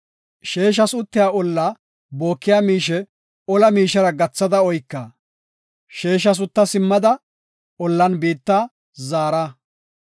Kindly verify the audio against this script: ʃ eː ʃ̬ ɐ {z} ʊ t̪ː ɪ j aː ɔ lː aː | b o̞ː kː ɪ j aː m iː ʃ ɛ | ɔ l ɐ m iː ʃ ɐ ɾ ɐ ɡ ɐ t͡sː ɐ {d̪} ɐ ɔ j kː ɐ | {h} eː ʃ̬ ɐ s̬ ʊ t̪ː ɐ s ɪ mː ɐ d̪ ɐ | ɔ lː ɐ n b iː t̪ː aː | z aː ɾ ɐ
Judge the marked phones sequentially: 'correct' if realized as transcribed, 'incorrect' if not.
incorrect: s, correct, incorrect: ʃ

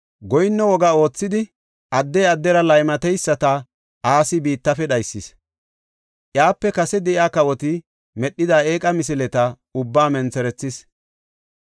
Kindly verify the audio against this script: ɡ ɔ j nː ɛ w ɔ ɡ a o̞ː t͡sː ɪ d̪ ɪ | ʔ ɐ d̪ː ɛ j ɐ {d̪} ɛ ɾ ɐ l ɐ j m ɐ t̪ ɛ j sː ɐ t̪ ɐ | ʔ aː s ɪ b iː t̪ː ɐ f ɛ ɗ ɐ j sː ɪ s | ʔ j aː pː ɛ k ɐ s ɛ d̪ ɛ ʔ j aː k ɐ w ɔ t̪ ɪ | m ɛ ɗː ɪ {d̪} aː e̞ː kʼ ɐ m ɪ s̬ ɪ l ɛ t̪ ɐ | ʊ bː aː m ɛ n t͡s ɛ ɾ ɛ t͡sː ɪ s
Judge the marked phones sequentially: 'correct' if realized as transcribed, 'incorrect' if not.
incorrect: d̪ː, correct

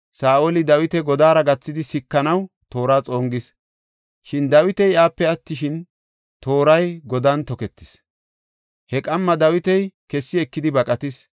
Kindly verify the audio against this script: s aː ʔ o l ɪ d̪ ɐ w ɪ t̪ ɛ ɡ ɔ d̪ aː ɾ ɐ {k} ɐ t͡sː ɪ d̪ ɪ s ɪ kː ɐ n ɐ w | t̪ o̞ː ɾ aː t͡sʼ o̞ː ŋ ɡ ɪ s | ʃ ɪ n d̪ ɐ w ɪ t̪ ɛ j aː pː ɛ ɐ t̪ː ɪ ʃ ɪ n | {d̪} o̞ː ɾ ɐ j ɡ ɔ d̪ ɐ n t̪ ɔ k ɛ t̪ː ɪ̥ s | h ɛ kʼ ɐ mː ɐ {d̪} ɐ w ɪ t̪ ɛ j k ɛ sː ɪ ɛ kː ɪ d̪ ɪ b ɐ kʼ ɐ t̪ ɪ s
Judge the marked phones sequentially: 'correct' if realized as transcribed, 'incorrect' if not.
incorrect: ɡ, incorrect: t̪, correct

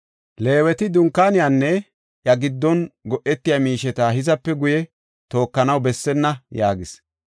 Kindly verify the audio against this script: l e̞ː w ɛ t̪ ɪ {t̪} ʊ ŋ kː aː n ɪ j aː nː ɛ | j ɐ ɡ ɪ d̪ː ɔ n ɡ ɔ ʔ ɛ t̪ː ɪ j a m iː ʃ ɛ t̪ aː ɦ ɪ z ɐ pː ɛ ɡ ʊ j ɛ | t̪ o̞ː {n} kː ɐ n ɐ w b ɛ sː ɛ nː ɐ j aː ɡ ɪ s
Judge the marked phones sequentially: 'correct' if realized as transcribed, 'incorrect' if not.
incorrect: d̪, incorrect: none

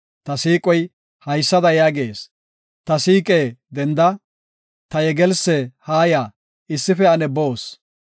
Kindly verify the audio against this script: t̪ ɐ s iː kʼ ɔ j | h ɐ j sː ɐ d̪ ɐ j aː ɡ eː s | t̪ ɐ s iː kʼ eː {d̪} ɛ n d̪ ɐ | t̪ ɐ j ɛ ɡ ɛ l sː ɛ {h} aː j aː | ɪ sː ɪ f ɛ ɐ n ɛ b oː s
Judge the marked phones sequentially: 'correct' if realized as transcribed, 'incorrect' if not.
correct, correct

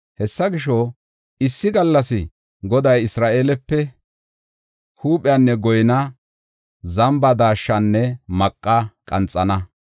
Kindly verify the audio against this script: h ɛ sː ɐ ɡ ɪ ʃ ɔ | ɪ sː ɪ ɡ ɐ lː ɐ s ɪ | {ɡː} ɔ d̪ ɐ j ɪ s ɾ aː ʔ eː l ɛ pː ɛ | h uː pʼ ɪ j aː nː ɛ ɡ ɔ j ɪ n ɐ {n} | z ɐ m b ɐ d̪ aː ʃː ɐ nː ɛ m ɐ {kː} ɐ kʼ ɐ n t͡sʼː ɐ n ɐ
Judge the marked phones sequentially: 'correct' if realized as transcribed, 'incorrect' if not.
incorrect: ɡ, incorrect: none, incorrect: kʼː

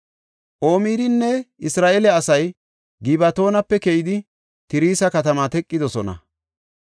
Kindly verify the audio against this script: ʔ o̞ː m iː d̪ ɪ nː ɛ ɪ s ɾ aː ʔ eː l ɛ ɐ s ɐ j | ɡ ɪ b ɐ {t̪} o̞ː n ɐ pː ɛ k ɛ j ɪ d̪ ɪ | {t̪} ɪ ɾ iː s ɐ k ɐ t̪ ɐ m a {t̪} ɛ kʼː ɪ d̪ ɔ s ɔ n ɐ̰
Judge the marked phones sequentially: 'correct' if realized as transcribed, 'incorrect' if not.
correct, correct, correct

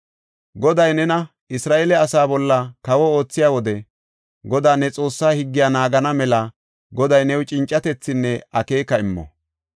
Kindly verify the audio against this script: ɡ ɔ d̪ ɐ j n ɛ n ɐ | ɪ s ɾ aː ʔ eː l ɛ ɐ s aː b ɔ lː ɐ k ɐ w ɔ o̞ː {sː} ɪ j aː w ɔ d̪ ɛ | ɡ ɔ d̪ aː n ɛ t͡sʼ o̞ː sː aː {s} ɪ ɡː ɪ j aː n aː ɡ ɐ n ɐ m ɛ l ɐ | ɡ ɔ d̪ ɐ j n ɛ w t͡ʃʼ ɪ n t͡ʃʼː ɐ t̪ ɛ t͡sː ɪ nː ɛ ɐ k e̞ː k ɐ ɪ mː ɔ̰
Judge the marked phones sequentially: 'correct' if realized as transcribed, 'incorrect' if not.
incorrect: t͡sː, incorrect: h

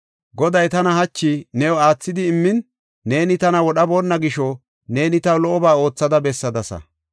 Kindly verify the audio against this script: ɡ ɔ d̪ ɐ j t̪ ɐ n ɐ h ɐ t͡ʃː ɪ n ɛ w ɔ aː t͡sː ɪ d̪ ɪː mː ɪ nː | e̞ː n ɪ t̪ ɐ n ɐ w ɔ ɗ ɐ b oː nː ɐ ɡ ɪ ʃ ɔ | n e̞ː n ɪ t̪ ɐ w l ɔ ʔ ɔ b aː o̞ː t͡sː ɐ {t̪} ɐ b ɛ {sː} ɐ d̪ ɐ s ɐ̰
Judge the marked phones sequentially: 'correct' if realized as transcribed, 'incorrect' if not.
incorrect: d̪, correct

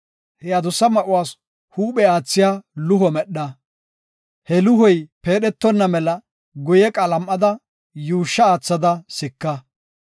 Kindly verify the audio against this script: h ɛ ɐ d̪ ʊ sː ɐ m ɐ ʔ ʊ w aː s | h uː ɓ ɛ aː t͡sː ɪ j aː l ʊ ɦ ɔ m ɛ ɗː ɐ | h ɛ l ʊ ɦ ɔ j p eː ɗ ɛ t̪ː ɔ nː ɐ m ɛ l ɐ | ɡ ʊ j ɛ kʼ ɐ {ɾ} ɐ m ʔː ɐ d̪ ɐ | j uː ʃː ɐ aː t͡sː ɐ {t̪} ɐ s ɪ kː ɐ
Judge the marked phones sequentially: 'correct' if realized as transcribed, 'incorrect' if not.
incorrect: l, incorrect: d̪

